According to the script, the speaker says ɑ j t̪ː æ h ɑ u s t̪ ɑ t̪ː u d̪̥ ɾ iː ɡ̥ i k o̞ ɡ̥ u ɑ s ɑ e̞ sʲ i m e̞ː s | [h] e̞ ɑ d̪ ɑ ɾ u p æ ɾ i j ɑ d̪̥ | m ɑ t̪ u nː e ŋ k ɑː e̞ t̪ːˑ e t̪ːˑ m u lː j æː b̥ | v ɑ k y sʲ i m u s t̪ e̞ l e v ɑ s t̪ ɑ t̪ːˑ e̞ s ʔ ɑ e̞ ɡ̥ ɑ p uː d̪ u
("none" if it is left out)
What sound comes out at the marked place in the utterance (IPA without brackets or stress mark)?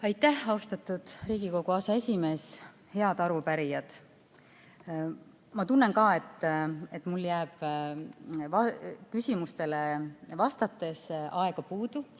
h